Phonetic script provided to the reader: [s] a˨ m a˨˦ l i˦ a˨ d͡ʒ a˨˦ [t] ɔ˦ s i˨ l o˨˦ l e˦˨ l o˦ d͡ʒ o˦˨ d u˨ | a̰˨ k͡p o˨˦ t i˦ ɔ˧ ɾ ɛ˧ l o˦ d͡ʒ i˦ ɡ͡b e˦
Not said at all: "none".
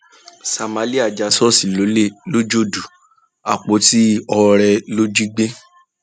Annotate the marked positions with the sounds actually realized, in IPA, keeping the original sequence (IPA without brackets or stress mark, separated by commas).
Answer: s, s